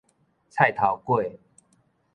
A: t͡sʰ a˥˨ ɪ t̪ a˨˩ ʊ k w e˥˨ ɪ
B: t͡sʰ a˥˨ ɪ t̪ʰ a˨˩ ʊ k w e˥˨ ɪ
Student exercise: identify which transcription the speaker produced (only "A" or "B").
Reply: B